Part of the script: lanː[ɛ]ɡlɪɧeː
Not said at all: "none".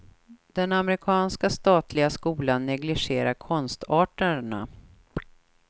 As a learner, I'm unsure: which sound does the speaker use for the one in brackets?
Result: ɛ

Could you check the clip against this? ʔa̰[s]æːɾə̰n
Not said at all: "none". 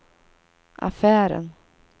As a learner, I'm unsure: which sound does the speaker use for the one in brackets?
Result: f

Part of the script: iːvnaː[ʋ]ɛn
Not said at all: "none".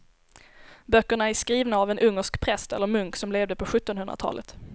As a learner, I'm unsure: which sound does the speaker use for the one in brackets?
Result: v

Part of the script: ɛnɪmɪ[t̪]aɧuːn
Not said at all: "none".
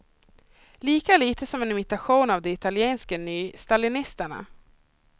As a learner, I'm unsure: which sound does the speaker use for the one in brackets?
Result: t̪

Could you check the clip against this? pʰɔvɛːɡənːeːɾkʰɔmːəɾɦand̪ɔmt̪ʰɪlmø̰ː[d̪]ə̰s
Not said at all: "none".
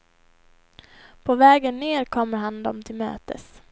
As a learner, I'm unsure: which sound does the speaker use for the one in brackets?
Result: t̪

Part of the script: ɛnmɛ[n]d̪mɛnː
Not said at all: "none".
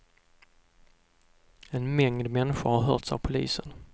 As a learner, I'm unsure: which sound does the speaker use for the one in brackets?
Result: ŋ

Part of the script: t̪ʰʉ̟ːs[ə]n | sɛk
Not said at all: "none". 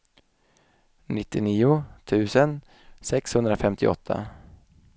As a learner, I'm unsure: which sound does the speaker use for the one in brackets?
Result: ə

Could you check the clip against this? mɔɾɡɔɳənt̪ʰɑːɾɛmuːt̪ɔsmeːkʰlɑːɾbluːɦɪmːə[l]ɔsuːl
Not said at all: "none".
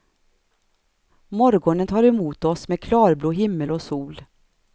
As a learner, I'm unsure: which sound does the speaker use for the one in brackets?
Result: l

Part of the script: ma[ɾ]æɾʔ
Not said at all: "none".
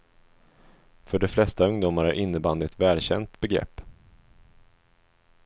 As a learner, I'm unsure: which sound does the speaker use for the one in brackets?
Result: ɾ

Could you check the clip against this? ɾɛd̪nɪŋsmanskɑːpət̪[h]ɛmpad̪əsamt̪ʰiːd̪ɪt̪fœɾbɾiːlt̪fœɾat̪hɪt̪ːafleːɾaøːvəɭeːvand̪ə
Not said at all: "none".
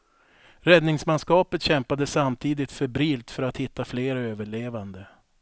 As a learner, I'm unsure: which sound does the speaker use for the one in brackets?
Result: ɕ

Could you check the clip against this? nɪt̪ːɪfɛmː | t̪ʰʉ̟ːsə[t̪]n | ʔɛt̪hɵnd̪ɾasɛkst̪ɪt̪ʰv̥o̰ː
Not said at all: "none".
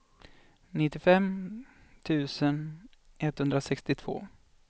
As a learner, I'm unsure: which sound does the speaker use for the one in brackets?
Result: none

